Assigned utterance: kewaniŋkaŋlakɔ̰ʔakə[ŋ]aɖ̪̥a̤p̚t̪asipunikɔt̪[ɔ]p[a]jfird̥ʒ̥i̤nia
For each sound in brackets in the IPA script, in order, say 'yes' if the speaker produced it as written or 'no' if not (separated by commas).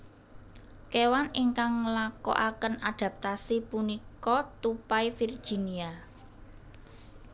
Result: no, no, yes